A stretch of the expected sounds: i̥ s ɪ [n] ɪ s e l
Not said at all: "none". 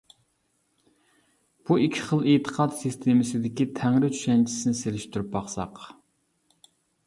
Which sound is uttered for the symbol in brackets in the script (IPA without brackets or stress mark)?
n